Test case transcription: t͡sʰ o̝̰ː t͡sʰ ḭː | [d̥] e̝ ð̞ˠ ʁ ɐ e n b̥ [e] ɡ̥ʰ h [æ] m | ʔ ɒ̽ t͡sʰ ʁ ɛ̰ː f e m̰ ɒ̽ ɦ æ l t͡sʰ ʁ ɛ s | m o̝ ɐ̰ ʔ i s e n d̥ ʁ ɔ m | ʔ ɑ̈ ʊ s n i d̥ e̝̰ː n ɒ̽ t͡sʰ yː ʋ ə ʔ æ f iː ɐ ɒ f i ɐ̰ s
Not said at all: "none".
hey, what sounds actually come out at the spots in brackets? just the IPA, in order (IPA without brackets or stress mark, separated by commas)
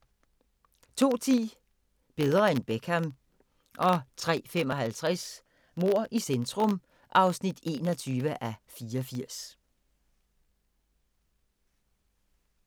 b̥, e, æ